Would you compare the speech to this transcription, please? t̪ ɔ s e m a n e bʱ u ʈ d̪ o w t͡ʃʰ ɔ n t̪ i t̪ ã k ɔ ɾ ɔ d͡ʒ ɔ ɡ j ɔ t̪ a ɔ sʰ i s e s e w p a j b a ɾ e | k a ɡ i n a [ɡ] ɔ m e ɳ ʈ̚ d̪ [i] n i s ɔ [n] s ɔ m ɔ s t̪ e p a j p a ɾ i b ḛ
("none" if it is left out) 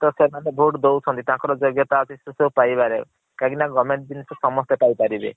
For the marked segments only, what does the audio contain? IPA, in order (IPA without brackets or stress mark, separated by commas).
ɡ, i, none